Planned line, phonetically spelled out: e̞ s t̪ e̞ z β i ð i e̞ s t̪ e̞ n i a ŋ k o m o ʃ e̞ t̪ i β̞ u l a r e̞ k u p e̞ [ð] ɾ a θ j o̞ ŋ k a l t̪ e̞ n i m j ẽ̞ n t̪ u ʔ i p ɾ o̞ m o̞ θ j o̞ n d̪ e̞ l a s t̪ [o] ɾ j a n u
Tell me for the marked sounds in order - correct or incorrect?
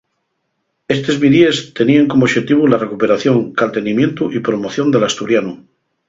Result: incorrect, incorrect

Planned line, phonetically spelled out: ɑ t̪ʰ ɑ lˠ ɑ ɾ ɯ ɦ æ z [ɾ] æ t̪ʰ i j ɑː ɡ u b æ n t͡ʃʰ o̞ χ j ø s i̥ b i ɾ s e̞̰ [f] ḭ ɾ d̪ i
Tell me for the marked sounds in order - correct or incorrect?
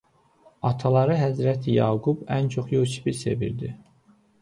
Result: correct, incorrect

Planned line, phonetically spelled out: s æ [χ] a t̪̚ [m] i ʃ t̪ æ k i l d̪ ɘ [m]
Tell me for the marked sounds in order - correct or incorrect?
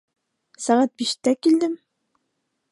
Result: incorrect, incorrect, correct

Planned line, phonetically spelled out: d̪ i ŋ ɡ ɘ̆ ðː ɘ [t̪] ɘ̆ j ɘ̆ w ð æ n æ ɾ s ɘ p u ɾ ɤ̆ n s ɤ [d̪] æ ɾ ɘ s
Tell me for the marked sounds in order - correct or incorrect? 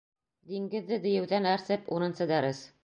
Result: incorrect, correct

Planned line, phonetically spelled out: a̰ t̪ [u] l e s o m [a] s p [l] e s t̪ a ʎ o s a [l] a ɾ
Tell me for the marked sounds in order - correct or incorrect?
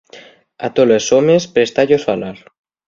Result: incorrect, incorrect, incorrect, correct

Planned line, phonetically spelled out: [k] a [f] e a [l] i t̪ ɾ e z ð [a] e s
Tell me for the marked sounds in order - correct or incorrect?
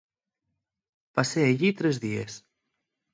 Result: incorrect, incorrect, incorrect, incorrect

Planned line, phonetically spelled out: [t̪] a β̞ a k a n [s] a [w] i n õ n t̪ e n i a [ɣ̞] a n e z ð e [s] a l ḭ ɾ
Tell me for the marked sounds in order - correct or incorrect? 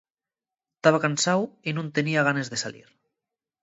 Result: correct, correct, correct, correct, correct

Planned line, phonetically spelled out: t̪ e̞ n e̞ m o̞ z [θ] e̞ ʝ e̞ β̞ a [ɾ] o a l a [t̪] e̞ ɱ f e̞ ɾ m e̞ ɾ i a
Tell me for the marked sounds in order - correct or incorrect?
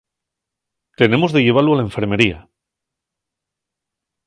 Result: incorrect, incorrect, incorrect

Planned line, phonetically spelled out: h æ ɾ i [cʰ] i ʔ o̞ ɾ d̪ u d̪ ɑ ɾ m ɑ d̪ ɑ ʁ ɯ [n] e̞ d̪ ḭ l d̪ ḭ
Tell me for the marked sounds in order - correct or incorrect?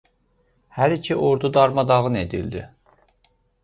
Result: correct, correct

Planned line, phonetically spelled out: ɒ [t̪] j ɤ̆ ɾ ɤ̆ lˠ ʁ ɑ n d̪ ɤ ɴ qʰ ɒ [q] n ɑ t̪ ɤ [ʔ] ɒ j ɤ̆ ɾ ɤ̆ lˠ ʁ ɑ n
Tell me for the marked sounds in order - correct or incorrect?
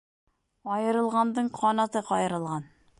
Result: incorrect, incorrect, incorrect

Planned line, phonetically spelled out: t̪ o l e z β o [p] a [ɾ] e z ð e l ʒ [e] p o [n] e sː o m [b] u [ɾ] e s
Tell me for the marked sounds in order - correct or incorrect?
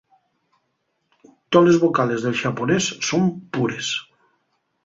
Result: incorrect, incorrect, incorrect, correct, incorrect, correct

